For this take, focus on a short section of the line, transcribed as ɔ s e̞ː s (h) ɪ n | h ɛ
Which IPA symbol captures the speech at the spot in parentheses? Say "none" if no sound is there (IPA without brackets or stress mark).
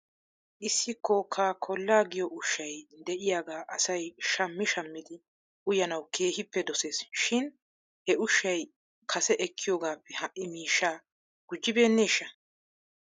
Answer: ʃ